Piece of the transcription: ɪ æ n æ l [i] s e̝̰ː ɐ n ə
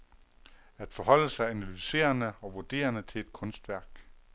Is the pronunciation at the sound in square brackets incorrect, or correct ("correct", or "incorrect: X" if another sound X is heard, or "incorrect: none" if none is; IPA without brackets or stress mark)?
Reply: incorrect: y